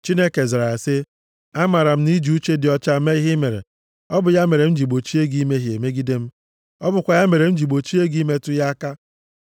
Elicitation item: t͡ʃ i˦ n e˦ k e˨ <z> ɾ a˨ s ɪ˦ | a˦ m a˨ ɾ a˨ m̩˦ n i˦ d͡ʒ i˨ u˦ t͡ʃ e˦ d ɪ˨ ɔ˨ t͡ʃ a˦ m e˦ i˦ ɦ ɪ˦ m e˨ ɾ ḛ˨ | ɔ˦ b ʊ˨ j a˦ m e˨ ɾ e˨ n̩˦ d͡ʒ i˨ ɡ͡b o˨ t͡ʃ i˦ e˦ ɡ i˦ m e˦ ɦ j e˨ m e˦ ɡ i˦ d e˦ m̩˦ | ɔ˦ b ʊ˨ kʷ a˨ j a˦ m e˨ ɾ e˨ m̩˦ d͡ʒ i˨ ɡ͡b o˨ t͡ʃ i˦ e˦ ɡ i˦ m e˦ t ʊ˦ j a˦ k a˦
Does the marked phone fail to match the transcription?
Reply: no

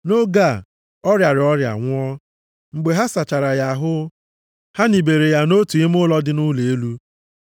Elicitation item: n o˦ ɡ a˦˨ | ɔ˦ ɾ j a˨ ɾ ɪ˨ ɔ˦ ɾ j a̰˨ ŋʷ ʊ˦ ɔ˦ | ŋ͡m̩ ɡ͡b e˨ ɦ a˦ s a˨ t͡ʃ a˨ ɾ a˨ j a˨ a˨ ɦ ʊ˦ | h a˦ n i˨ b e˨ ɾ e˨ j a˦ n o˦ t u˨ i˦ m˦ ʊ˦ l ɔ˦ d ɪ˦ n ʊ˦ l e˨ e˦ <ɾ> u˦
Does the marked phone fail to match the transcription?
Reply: yes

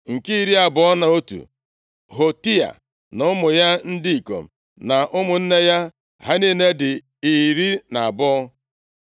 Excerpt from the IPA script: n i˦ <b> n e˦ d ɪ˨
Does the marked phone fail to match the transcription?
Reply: yes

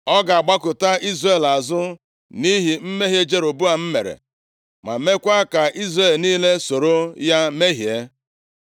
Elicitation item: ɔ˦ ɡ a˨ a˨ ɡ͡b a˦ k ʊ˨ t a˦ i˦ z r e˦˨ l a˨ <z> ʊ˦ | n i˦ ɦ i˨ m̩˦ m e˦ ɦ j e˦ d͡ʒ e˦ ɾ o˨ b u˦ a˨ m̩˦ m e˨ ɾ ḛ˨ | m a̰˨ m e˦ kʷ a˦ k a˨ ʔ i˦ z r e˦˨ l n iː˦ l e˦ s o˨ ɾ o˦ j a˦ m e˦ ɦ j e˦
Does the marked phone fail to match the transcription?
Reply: no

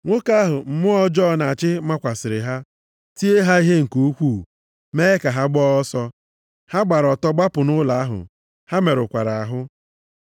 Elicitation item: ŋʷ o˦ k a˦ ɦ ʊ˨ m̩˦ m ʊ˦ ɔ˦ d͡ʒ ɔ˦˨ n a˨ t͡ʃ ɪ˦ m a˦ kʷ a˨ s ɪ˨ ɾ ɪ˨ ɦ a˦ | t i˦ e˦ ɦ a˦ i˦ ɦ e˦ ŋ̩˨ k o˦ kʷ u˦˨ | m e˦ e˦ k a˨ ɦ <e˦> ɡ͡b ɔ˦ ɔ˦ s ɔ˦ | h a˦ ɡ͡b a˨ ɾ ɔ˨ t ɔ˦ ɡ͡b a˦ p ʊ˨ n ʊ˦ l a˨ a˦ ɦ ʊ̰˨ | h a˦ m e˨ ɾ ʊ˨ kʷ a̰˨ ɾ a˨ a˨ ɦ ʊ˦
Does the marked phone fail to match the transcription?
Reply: yes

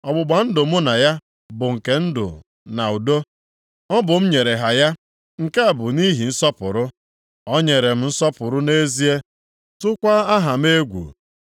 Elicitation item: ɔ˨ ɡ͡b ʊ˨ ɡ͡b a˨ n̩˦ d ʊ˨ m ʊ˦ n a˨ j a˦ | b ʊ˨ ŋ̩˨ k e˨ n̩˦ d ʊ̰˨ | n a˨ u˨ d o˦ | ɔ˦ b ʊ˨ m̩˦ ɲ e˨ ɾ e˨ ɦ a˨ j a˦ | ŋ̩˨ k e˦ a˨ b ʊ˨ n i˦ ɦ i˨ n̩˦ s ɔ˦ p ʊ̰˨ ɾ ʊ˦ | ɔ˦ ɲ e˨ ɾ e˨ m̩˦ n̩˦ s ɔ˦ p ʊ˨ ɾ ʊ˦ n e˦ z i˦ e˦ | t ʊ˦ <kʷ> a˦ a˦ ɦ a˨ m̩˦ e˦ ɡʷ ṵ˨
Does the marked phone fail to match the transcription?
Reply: no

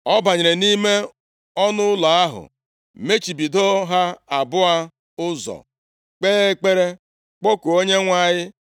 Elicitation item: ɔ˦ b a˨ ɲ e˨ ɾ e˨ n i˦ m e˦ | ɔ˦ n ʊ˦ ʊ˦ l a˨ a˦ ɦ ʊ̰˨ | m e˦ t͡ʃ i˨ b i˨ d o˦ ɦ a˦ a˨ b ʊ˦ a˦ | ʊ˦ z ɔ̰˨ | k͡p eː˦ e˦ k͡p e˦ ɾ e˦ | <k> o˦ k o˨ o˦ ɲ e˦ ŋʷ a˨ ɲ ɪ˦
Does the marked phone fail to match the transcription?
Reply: yes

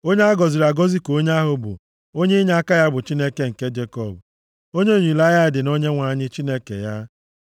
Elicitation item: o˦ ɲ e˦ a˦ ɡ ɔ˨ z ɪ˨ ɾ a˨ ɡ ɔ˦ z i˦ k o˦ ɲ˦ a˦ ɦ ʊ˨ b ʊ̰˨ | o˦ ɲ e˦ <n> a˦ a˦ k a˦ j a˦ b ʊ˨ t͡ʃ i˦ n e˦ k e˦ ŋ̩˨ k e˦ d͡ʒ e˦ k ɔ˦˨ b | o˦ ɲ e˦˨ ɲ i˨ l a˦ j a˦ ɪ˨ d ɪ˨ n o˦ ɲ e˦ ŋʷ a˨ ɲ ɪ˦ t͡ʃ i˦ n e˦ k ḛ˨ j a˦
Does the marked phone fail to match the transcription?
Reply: yes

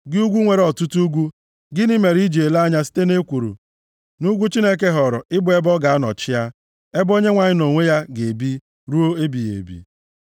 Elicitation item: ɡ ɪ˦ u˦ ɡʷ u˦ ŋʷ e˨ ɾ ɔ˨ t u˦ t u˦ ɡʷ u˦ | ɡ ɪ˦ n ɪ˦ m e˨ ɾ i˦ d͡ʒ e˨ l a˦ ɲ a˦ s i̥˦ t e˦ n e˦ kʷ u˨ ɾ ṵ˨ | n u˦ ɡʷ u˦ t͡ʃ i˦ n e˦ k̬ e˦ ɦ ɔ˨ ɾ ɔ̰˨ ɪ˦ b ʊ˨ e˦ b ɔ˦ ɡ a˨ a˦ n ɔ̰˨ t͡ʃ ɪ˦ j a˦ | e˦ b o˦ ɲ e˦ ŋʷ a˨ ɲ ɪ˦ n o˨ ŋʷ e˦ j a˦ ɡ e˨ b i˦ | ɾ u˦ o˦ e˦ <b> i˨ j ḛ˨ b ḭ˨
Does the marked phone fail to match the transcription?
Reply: no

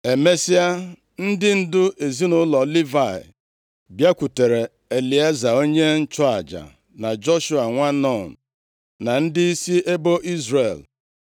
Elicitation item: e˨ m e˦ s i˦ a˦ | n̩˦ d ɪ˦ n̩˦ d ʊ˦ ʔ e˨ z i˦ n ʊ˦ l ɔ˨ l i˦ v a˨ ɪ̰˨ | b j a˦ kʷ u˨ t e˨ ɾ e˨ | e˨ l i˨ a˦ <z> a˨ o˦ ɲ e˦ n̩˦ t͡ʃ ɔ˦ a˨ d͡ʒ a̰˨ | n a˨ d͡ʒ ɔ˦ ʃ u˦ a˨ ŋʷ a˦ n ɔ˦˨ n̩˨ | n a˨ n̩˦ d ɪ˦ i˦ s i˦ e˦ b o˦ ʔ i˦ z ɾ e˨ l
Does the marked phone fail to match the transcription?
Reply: no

